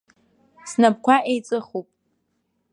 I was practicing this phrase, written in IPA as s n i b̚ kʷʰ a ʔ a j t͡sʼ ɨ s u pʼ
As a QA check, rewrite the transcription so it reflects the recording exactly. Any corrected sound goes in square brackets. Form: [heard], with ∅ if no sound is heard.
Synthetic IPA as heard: s n [a] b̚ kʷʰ a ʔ [e] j t͡sʼ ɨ [χ] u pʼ